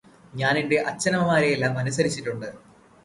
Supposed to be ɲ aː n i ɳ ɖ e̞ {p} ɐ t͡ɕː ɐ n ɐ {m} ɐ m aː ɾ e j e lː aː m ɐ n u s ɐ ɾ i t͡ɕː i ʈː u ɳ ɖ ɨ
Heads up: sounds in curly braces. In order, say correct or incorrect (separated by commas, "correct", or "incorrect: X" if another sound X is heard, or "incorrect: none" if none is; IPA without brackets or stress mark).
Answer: incorrect: ʔ, correct